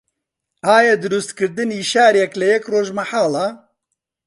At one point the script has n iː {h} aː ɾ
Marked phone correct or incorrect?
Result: incorrect